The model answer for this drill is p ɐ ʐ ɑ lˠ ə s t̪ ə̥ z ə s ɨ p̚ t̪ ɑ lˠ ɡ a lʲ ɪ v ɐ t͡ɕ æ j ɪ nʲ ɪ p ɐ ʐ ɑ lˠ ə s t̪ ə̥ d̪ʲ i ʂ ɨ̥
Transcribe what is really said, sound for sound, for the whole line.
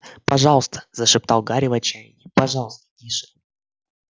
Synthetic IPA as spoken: p ɐ ʐ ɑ lˠ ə s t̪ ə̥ z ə ʂ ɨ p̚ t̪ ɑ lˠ ɡ a ɾʲ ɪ v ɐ t͡ɕ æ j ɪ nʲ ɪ p ɐ ʐ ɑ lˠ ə s t̪ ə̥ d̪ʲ i ʂ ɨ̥